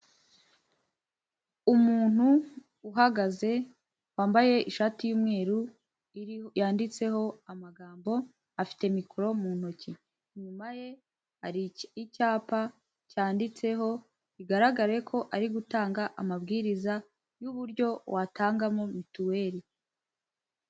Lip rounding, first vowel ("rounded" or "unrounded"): rounded